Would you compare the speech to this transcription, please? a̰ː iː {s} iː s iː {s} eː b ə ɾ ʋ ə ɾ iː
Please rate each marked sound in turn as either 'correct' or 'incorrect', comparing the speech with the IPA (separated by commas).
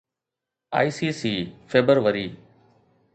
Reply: correct, incorrect